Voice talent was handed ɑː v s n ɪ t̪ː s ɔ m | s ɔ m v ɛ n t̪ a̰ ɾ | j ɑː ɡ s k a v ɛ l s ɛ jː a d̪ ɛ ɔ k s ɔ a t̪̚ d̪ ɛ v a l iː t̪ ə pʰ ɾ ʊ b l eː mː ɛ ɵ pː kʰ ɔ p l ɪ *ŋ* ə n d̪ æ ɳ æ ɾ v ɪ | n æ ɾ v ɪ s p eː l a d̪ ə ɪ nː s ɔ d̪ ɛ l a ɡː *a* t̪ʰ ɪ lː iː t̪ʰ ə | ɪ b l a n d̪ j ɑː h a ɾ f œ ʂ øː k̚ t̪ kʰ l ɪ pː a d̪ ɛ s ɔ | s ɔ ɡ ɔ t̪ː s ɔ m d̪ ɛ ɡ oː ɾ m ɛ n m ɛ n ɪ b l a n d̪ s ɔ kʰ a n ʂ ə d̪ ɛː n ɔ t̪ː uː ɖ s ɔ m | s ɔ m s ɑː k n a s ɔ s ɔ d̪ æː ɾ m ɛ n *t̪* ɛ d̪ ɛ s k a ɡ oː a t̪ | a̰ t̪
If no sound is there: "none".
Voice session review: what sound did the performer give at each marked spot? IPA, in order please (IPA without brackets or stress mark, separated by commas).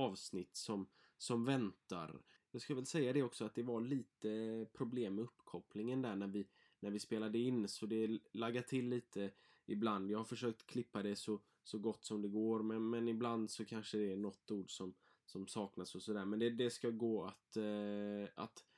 ŋ, a, d̪